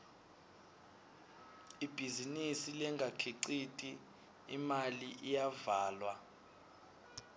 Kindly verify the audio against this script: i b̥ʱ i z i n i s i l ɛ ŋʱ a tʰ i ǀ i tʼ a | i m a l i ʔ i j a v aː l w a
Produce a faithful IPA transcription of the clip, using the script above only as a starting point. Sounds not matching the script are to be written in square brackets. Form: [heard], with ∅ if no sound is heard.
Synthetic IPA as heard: i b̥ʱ i z i n i s i l ɛ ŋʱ a [kʰ] i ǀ i tʼ [i] | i m a l i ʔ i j a v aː l w a